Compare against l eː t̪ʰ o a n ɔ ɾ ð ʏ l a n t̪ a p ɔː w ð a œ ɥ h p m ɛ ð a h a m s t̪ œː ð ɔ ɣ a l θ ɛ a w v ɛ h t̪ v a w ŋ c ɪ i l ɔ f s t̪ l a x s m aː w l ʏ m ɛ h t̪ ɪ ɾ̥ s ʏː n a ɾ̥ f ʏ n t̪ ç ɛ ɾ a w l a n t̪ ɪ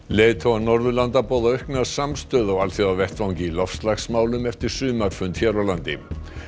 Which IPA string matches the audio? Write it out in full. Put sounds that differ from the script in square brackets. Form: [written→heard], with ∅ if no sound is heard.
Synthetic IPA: l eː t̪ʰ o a n ɔ ɾ ð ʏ l a n t̪ a p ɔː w ð a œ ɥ h [p→k] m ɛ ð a [h→s] a m s t̪ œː ð ɔ ɣ a l θ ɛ a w v ɛ h t̪ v a w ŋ c ɪ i l ɔ f s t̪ l a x s m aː w l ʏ m ɛ [h→f] t̪ ɪ ɾ̥ s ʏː [n→m] a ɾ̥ f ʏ n t̪ ç ɛ ɾ a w l a n t̪ ɪ

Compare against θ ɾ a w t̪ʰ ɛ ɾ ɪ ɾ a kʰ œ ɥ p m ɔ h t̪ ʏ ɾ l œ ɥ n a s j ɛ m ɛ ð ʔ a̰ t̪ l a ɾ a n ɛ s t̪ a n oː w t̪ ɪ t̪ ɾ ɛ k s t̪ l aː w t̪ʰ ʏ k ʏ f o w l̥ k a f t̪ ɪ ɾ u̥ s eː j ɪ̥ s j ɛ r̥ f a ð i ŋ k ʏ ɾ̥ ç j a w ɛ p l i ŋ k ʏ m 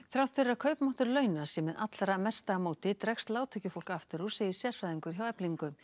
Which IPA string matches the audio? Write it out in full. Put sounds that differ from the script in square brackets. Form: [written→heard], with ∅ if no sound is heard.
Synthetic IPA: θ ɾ a w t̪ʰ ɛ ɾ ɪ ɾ a kʰ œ ɥ p m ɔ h t̪ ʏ ɾ l œ ɥ n a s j ɛ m ɛ ð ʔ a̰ t̪ l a ɾ a [n→m] ɛ s t̪ a [n→m] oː w t̪ ɪ t̪ ɾ ɛ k s t̪ l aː w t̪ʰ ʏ [k→c] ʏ f o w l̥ k a f t̪ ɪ ɾ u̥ s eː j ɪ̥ s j ɛ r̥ f a ð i ŋ k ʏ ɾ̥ ç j a w ɛ p l i ŋ k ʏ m

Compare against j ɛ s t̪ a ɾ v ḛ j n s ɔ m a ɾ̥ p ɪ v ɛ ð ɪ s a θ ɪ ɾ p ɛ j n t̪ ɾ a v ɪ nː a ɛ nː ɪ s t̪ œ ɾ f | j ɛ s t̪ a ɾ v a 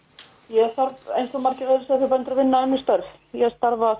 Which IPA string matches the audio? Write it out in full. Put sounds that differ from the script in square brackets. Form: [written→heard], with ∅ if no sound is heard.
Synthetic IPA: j ɛ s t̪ a ɾ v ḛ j n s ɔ m a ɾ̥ [p→c] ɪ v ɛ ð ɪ s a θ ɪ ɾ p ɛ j n t̪ ɾ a v ɪ nː a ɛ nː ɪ s t̪ œ ɾ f | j ɛ s t̪ a ɾ v a

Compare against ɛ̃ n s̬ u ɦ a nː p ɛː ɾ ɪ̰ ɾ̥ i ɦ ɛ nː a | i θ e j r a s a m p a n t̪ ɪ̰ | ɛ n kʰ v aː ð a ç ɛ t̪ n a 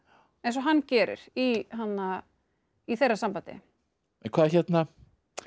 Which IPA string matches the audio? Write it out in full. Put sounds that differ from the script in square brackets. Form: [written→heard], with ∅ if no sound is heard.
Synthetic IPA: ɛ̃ n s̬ [u→ɔ] ɦ a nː [p→c] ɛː ɾ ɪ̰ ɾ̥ i ɦ [ɛ→a] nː a | i θ e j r a s a m p a n t̪ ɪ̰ | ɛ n kʰ v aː ð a ç ɛ t̪ n a

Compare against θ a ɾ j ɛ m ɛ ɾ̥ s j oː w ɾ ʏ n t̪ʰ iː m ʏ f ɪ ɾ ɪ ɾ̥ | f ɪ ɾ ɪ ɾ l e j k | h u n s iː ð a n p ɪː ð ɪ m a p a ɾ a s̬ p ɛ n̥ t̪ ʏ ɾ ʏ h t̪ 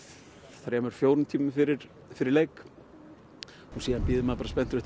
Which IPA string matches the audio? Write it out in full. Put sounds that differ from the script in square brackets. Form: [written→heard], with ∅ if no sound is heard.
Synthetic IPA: θ a ɾ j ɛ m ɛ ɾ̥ [s→f] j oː w ɾ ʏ n t̪ʰ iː m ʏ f ɪ ɾ ɪ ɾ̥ | f ɪ ɾ ɪ ɾ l e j k | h u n s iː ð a n p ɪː ð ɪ m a p a ɾ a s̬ p ɛ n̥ t̪ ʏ ɾ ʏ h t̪

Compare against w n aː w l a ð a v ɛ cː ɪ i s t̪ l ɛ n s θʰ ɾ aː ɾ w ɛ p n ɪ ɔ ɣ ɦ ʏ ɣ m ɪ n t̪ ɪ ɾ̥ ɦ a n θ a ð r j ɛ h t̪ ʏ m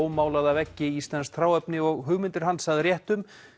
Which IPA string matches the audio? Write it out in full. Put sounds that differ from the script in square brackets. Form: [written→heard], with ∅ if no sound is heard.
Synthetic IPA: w [n→m] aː w l a ð a v ɛ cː ɪ i s t̪ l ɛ n s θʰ ɾ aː [ɾ→∅] w ɛ p n ɪ ɔ ɣ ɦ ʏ ɣ m ɪ n t̪ ɪ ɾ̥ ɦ a n [θ→s] a ð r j ɛ h t̪ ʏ m

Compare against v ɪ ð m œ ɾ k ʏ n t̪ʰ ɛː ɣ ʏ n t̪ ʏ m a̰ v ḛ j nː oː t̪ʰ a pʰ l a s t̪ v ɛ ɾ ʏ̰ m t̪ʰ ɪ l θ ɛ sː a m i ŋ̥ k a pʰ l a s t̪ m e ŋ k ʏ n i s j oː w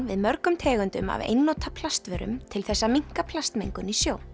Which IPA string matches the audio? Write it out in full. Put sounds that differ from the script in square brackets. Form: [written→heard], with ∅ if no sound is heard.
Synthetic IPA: v ɪ ð m œ ɾ k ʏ [n→m] t̪ʰ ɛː ɣ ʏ n t̪ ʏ m a̰ v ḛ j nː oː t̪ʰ a pʰ l a s t̪ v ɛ ɾ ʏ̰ m t̪ʰ ɪ l θ ɛ sː a m i ŋ̥ k a pʰ l a s t̪ m e ŋ k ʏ n i s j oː w

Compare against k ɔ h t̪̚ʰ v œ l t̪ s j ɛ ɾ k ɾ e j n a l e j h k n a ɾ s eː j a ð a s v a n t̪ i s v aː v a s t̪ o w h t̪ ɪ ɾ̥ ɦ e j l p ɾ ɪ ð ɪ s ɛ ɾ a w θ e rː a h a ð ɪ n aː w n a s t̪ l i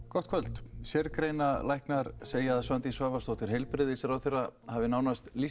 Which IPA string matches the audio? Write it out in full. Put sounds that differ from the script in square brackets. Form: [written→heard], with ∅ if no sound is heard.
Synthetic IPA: k ɔ h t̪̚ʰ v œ l t̪ s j ɛ ɾ k ɾ e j n a l [e→a] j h k n a ɾ s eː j a ð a s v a n t̪ i s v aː v a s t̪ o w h t̪ ɪ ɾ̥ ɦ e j l p ɾ ɪ ð ɪ s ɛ ɾ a w θ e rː a h a [ð→v] ɪ n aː w n a s t̪ l i

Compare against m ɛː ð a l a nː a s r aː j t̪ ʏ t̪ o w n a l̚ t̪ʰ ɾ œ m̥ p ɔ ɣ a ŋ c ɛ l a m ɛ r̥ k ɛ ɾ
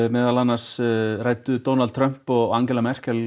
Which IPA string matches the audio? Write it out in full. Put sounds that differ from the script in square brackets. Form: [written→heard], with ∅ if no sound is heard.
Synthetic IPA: m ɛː ð a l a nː a s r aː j t̪ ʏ t̪ o w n a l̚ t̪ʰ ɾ œ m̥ p ɔ ɣ a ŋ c ɛ l a m ɛ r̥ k ɛ [ɾ→l]

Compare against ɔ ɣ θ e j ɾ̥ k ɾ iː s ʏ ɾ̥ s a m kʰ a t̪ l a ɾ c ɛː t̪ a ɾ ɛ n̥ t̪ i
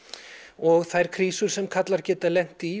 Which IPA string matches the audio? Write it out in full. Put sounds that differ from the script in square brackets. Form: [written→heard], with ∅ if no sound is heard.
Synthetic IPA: ɔ ɣ θ [e→a] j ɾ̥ [k→kʰ] ɾ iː s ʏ ɾ̥ s [a→ɛ] m kʰ a t̪ l a ɾ c ɛː t̪ a [ɾ→l] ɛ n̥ t̪ i

